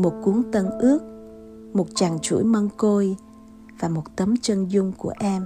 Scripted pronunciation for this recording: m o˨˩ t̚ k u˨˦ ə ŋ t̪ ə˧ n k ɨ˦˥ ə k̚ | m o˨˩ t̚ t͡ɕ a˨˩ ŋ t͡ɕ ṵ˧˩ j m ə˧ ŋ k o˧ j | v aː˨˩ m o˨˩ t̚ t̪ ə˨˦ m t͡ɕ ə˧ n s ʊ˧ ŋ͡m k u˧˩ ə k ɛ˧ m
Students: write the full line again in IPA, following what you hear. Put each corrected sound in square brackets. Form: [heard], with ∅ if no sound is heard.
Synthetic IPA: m o˨˩ t̚ k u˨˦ ə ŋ t̪ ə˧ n [ʔ] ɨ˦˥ ə k̚ | m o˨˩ t̚ t͡ɕ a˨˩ ŋ t͡ɕ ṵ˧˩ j m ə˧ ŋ k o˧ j | v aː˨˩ m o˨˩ t̚ t̪ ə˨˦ m t͡ɕ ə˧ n [z] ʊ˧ ŋ͡m k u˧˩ ə [ʔ] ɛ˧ m